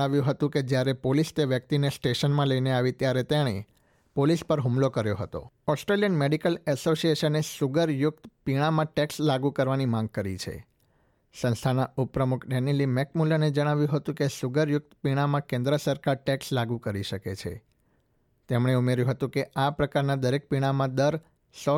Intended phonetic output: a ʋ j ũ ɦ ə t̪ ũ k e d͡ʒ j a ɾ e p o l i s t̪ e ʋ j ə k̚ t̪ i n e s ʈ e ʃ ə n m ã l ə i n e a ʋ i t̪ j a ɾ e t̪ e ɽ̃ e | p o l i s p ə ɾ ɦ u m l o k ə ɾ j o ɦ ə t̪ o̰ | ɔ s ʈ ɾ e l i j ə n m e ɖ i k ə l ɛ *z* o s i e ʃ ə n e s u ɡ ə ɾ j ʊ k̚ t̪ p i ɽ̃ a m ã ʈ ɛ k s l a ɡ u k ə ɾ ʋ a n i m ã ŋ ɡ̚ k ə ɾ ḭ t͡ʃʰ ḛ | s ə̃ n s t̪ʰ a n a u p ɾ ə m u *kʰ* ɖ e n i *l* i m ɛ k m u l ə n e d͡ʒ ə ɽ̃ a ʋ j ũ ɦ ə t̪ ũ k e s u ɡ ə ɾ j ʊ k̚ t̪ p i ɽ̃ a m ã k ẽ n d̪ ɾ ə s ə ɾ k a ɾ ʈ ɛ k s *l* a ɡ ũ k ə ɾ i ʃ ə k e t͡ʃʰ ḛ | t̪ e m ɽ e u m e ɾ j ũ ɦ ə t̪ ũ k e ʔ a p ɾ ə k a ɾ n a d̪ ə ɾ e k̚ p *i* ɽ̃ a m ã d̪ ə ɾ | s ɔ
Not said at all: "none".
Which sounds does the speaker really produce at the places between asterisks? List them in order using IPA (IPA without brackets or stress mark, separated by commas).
s, kʰ, l, l, i